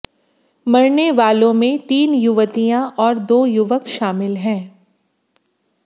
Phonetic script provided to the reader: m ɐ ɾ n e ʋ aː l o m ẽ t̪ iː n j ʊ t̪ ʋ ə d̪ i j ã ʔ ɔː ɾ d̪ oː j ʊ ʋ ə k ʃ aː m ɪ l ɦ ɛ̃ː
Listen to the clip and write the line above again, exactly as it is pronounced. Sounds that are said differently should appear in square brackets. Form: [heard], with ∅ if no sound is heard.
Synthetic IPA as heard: m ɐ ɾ n e ʋ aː l [õ] m ẽ t̪ iː n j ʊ [∅] ʋ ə [t̪] i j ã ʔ ɔː ɾ d̪ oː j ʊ ʋ ə k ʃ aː m ɪ l ɦ ɛ̃ː